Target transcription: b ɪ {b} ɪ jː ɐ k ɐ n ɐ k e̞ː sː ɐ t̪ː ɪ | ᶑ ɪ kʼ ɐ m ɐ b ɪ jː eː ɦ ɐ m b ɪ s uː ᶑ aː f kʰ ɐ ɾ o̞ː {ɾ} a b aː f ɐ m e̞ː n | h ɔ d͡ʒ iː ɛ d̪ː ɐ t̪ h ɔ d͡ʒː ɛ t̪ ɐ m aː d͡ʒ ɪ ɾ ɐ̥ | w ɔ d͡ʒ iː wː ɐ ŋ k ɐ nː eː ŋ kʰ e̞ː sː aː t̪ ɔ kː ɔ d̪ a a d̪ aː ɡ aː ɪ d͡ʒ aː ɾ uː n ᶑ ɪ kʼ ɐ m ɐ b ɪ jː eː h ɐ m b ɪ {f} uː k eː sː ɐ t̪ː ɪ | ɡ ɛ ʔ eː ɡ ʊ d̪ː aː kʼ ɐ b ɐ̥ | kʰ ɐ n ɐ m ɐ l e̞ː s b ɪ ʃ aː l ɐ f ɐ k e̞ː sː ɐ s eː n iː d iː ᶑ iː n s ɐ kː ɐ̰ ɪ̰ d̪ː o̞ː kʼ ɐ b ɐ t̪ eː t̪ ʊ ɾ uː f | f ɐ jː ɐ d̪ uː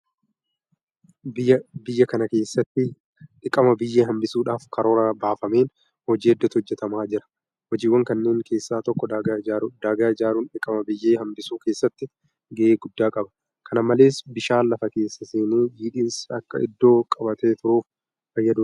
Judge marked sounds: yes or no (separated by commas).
yes, yes, no